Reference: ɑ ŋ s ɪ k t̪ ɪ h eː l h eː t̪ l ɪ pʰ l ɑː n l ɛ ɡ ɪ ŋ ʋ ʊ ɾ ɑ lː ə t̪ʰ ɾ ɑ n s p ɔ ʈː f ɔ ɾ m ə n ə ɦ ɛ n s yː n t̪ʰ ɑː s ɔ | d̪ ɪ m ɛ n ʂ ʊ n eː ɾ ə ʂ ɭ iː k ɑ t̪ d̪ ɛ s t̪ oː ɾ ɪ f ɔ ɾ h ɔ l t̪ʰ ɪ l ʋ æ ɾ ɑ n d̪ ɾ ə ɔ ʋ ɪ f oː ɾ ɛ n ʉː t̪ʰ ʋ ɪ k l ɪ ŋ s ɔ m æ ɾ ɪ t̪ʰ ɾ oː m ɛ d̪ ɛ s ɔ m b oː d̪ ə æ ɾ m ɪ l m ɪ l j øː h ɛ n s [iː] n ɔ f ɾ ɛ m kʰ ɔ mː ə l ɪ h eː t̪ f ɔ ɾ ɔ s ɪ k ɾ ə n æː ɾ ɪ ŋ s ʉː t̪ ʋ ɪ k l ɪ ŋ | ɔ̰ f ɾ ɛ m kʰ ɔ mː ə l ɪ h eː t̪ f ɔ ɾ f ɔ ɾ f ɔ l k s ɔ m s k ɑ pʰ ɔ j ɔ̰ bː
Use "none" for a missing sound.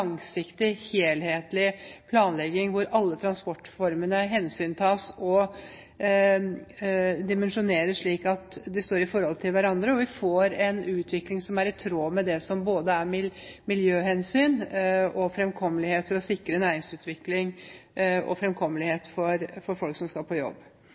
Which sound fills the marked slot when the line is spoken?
yː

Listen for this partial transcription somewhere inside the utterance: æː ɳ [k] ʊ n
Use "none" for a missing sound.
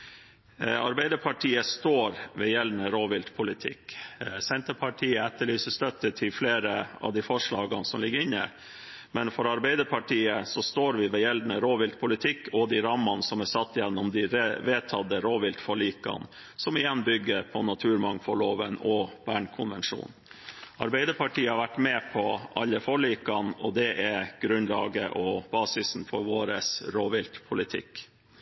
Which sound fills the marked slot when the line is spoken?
kʰ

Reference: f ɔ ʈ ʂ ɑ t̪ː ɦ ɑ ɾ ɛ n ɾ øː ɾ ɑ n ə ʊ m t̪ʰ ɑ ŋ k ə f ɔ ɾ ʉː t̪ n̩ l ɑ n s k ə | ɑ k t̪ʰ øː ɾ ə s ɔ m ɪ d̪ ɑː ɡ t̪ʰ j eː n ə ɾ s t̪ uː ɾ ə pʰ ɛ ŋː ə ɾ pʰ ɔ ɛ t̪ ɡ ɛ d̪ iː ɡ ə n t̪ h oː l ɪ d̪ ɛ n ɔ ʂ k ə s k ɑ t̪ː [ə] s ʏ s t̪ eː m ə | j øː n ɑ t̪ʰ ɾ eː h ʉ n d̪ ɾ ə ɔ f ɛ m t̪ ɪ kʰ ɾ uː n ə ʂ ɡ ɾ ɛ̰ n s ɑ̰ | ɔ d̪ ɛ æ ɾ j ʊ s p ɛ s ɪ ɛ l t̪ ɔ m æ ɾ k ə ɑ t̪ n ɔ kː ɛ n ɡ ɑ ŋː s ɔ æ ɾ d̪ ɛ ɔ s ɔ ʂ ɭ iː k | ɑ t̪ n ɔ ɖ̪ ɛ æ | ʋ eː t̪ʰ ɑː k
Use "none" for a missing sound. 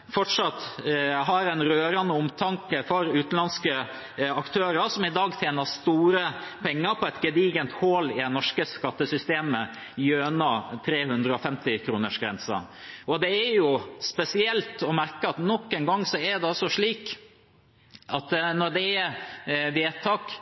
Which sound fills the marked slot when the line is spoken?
ə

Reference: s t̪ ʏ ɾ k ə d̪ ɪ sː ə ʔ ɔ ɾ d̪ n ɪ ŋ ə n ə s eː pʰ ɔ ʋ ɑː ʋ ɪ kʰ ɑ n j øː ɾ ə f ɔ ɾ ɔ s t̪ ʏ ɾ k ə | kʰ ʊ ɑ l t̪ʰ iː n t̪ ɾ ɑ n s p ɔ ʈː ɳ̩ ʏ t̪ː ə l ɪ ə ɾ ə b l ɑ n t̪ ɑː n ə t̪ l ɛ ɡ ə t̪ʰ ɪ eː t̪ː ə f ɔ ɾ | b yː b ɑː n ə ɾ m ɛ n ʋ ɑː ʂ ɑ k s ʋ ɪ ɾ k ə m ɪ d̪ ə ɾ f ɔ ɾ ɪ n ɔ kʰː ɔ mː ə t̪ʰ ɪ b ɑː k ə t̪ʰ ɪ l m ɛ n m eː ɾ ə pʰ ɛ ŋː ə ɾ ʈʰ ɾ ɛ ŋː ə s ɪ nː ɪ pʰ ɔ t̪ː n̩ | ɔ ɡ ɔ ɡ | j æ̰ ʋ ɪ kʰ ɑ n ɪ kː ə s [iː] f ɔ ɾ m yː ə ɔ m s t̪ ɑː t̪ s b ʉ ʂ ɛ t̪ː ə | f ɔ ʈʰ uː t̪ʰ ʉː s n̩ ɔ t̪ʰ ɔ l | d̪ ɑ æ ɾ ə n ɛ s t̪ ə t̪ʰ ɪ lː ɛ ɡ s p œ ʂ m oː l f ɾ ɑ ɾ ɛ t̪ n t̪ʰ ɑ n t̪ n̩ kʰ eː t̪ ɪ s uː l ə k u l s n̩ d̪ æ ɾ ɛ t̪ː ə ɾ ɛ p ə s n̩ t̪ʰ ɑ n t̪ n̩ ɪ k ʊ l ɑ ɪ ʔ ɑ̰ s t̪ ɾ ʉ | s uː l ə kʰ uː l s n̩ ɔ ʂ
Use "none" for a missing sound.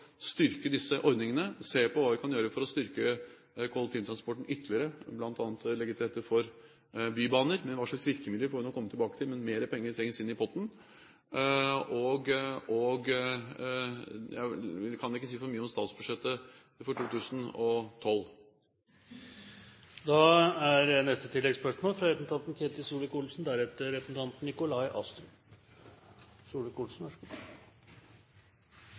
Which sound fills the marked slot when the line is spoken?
iː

